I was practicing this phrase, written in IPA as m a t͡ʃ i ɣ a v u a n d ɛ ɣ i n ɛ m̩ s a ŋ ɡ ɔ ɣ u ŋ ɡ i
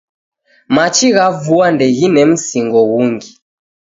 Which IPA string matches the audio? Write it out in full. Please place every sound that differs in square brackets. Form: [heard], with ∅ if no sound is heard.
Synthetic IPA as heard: m a t͡ʃ i ɣ a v u a n d ɛ ɣ i n ɛ m̩ s [i] ŋ ɡ ɔ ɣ u ŋ ɡ i